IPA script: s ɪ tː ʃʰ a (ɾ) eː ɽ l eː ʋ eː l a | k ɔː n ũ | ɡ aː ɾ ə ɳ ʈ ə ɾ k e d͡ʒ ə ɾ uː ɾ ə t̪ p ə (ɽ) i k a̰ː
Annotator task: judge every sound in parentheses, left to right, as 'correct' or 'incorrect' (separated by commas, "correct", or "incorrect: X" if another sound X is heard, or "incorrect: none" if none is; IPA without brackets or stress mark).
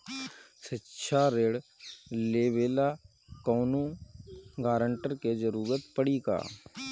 correct, correct